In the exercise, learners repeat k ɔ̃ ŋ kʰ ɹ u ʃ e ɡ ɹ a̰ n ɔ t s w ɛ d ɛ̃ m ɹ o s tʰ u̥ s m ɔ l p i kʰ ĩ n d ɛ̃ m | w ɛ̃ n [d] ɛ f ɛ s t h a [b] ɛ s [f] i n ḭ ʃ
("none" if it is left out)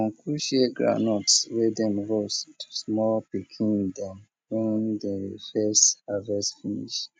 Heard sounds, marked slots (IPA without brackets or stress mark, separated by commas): d, v, f